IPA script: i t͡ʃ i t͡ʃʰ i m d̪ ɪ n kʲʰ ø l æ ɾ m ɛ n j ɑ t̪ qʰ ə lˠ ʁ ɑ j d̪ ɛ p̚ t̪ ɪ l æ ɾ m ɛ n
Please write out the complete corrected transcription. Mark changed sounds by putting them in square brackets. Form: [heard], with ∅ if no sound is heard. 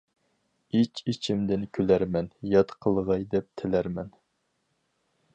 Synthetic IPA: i t͡ʃ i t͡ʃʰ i m d̪ ɪ n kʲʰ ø l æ ɾ m ɛ n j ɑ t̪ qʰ ə lˠ ʁ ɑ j d̪ ɛ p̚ [t̪ʰ] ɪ l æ ɾ m ɛ n